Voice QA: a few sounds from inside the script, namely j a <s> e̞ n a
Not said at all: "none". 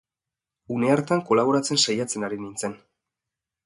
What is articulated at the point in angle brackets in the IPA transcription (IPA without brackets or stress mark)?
t͡s